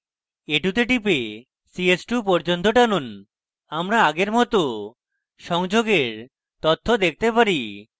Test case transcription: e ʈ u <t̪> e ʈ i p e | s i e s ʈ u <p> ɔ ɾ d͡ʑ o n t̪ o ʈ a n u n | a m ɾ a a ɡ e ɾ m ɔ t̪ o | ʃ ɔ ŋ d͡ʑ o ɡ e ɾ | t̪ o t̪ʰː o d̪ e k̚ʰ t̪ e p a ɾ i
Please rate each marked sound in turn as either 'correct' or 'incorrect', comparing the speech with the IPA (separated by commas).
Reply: correct, correct